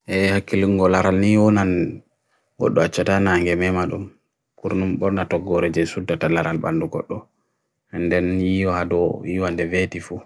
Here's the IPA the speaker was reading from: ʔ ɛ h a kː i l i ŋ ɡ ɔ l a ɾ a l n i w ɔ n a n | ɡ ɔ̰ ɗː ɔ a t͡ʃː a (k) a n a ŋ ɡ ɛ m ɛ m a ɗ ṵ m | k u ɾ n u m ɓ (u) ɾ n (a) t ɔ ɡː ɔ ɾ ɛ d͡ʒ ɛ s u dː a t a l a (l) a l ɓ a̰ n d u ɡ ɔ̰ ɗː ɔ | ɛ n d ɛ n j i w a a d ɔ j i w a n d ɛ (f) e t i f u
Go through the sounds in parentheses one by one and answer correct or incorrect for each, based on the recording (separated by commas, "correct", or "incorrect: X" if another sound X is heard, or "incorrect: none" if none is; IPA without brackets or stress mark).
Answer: incorrect: t, incorrect: ɔ, correct, incorrect: ɾ, incorrect: v